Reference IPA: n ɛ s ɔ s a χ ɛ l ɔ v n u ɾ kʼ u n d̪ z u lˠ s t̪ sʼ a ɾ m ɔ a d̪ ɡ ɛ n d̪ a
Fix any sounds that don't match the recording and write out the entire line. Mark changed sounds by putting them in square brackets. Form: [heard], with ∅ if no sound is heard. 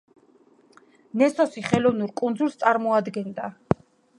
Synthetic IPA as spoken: n ɛ s ɔ s [i] χ ɛ l ɔ v n u ɾ kʼ u n d̪ z u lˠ s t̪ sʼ a ɾ m ɔ a d̪ ɡ ɛ n d̪ a